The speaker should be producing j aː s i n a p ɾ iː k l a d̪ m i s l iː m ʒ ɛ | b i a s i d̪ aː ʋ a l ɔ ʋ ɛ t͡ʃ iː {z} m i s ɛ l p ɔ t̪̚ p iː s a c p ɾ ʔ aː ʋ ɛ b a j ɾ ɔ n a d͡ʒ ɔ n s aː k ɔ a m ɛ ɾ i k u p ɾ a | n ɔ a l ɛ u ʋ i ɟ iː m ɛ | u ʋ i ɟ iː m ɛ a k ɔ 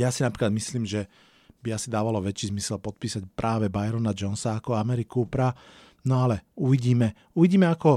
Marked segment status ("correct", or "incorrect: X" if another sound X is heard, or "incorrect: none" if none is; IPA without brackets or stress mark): correct